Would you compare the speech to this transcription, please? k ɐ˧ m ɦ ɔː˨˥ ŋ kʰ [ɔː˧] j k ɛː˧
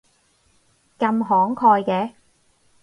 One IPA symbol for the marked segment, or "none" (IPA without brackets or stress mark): ɔː˧